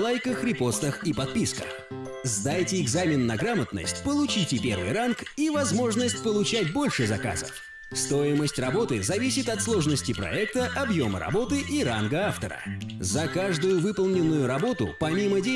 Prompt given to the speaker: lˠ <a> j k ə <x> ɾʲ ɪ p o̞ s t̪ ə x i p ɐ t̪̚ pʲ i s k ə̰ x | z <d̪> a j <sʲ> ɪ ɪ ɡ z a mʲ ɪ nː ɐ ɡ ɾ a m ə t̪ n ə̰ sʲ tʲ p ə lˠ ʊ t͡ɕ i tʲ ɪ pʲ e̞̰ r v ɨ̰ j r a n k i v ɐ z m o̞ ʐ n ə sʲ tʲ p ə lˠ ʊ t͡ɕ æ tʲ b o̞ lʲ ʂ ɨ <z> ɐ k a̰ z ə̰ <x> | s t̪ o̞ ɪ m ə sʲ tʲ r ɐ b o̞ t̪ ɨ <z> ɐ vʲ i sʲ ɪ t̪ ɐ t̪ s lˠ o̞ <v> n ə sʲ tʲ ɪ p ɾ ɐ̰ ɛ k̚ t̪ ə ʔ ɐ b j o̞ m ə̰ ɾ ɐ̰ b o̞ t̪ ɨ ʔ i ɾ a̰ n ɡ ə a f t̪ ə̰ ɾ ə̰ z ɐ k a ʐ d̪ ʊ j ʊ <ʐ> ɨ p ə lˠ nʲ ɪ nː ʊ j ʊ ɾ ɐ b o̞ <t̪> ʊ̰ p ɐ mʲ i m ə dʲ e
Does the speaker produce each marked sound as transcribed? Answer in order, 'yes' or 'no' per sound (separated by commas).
yes, yes, yes, no, yes, no, yes, no, no, yes